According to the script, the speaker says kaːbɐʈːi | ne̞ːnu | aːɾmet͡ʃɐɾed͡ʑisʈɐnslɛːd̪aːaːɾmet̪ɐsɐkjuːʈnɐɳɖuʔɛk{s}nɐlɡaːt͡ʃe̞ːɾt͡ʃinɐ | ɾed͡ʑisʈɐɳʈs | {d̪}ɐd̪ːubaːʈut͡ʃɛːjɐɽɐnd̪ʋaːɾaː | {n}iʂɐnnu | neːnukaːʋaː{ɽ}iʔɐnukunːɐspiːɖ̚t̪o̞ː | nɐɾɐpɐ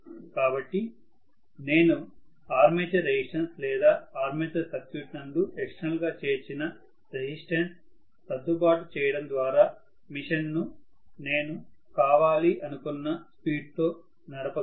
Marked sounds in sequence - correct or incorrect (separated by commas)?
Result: incorrect, incorrect, incorrect, incorrect